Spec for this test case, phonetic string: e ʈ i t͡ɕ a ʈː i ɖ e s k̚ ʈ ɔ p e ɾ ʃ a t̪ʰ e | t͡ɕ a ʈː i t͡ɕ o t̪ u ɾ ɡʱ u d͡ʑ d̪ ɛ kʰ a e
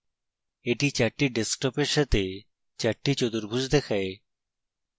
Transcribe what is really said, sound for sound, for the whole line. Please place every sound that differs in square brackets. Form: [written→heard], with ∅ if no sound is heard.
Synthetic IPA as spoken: e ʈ i t͡ɕ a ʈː i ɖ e s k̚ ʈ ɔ p e ɾ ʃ a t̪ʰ e | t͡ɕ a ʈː i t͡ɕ o [t̪→d̪] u ɾ [ɡʱ→bʱ] u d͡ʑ d̪ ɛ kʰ a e